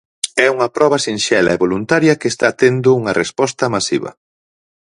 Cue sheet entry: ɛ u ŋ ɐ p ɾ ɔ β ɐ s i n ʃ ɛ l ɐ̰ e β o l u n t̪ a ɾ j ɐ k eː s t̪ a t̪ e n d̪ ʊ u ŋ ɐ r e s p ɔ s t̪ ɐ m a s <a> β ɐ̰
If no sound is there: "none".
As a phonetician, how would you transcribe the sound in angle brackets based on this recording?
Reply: i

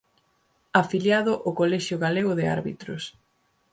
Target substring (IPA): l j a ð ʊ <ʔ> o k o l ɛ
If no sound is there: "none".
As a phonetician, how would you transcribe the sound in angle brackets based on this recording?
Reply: ʔ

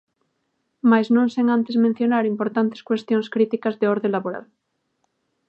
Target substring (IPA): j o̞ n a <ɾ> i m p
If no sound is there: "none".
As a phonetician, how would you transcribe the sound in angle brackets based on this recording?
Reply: ɾ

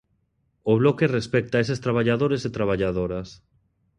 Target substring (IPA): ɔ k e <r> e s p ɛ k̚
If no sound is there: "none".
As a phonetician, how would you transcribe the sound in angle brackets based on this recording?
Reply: r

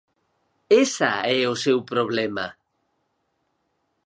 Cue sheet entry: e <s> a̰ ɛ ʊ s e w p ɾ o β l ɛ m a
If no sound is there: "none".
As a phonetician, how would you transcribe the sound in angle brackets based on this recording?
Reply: s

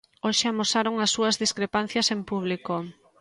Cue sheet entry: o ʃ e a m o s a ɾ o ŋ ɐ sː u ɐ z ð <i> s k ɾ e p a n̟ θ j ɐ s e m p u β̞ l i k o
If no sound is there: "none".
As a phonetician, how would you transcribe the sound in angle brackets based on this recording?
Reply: i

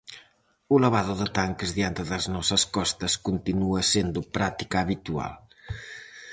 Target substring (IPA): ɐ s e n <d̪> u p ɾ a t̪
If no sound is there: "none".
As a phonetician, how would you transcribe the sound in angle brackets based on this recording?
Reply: d̪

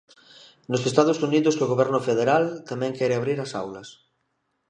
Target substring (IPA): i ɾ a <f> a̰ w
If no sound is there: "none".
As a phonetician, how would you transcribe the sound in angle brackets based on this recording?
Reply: s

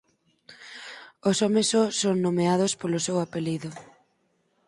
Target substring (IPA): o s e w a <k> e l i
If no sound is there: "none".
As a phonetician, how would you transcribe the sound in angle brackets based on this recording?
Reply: p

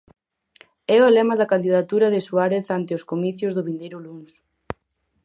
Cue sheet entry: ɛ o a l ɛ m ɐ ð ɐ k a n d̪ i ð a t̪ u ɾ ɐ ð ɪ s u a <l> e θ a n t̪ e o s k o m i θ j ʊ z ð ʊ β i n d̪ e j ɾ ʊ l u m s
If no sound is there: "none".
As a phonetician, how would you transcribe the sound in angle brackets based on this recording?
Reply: ɾ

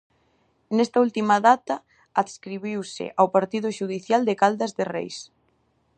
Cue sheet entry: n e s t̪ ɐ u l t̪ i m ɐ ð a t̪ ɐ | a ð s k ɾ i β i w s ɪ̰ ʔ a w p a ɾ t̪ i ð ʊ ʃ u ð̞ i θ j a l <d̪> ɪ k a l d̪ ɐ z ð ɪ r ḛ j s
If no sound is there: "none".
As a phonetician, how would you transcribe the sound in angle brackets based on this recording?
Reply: d̪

